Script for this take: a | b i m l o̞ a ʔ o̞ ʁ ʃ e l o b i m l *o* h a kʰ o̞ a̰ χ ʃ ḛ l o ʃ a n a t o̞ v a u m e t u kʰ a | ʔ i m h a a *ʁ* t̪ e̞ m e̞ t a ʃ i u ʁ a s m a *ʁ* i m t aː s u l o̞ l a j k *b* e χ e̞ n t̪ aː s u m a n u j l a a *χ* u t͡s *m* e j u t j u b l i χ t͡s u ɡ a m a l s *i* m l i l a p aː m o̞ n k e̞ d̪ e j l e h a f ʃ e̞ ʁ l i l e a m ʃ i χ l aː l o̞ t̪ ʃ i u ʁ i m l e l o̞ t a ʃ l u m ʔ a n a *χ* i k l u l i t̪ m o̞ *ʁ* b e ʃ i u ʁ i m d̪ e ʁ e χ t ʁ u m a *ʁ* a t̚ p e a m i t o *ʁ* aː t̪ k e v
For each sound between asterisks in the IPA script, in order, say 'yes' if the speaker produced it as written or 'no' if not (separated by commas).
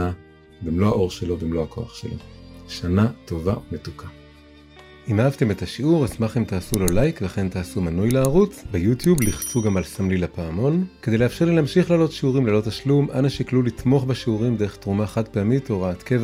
yes, no, no, no, no, no, no, no, no, no, yes